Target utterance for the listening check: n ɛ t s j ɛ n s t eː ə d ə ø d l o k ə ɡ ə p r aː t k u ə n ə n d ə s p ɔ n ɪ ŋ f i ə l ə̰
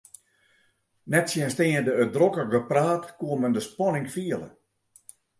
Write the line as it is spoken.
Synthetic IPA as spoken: n ɛ t s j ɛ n s t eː ə d ə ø d r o k ə ɡ ə p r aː t k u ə m ə n d ə s p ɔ n ɪ ŋ f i ə l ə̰

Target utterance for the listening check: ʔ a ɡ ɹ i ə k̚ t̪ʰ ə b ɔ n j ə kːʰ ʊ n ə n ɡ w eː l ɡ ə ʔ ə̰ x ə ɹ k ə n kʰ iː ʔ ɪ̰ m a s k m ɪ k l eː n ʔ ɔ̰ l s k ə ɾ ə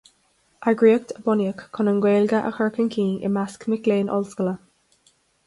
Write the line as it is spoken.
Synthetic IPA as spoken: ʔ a ɡ ɹ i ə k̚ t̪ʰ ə b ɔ n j ə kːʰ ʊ n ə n ɡ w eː l ɡ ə ʔ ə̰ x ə ɹ k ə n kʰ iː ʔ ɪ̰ m a s k m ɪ k l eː n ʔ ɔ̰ l s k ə l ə

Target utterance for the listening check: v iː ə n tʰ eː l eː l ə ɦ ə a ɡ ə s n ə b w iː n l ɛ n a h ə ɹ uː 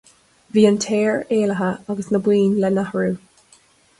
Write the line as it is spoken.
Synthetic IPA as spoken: v iː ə n tʰ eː ɹ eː l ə ɦ ə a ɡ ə s n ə b w iː n l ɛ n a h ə ɹ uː

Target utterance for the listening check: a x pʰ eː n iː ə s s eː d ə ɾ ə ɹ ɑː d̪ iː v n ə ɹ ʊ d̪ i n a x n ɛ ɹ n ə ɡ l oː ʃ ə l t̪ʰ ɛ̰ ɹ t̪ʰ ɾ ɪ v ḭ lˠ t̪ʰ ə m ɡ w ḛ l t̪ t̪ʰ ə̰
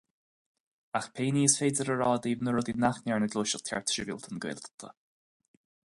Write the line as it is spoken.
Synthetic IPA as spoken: a x pʰ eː n iː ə s f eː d ə ɾ ə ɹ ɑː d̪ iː v n ə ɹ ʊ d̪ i n a x n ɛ ɹ n ə ɡ l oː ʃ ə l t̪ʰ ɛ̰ ɹ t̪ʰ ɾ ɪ v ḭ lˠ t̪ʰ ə n ɡ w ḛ l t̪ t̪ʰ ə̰

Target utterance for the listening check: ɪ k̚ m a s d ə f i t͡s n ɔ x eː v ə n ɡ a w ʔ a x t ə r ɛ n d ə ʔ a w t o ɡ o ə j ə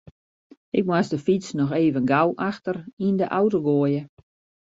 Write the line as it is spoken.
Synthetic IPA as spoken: ɪ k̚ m a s d ə f i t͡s n ɔ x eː v ə n ɡ a w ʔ a x t ə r i n d ə ʔ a w t o ɡ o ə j ə

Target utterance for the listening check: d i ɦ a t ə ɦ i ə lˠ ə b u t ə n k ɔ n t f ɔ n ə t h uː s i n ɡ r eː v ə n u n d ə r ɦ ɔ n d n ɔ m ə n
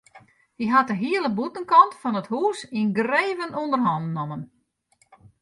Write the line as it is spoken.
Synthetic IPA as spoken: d i ɦ a t ə ɦ i ə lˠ ə b u t ə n k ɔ n t f ɔ n ə t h uː s i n ɡ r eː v ə n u n d ə r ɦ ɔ n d n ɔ m ə n

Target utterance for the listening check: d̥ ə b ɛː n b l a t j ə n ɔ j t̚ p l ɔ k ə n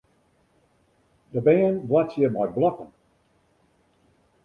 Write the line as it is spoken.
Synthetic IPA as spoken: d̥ ə b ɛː n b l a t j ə m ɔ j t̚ b l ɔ k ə n

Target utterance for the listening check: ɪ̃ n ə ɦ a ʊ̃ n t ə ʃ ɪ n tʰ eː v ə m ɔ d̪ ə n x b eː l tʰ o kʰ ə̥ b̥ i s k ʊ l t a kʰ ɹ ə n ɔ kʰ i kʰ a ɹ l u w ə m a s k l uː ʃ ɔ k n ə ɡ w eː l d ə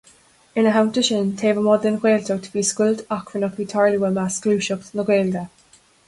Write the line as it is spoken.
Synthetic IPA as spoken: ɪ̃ n ə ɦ a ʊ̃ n t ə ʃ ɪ n tʰ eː v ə m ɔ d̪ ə n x w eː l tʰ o tʰ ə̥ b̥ i s k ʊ l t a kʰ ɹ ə n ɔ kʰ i tʰ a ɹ l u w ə m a s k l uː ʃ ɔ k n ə ɡ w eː l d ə

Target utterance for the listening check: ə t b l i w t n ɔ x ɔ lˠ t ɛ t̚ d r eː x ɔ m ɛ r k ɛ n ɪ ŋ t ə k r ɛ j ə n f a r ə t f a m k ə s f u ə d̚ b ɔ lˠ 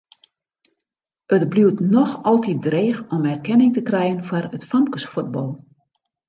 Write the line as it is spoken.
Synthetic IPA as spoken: ə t b l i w t n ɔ x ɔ lˠ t i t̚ d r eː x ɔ m ɛ r k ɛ n ɪ ŋ t ə k r ɛ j ə n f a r ə t f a m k ə s f u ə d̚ b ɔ lˠ

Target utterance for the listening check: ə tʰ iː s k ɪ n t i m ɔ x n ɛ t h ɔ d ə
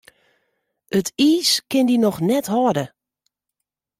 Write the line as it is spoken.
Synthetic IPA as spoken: ə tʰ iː s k ɪ n d i n ɔ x n ɛ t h ɔ d ə

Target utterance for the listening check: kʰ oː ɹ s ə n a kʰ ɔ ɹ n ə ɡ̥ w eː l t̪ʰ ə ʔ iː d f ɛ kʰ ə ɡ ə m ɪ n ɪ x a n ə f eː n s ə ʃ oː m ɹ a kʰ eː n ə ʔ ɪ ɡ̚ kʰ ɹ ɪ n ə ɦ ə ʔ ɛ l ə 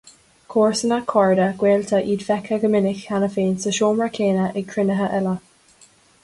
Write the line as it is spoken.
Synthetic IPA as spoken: kʰ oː ɹ s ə n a kʰ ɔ ɹ d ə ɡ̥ w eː l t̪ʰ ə ʔ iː d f ɛ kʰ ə ɡ ə m ɪ n ɪ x a n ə f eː n s ə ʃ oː m ɹ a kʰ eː n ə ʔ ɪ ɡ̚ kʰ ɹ ɪ n ə ɦ ə ʔ ɛ l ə

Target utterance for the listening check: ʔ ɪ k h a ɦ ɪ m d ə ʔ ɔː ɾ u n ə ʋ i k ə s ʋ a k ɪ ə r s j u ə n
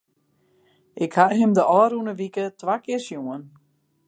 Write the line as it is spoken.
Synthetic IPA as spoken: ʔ ɪ k h a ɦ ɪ m d ə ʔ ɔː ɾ u n ə ʋ i k ə t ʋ a k ɪ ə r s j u ə n

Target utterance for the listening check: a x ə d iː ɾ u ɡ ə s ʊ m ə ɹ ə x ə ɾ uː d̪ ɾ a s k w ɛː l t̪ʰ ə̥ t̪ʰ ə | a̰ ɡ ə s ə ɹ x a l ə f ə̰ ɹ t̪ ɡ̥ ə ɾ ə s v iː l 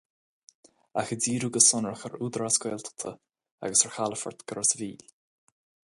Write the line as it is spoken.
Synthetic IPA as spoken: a x ə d iː ɾ u ɡ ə s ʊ n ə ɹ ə x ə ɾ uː d̪ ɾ a s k w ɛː l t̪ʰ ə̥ t̪ʰ ə | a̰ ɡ ə s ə ɹ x a l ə f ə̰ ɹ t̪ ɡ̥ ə ɾ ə s v iː l

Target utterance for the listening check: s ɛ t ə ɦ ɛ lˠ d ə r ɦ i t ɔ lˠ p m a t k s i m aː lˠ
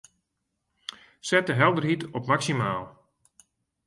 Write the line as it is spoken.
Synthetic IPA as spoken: s ɛ t ə ɦ ɛ lˠ d ə r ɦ i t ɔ p m a k s i m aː lˠ

